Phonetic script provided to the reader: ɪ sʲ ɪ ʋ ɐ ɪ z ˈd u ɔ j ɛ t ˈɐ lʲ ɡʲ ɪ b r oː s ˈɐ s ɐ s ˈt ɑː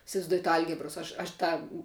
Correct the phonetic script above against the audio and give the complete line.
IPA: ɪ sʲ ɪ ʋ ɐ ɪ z ˈd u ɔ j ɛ t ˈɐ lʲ ɡʲ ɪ b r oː s ˈɐ ʃ ɐ ʃ ˈt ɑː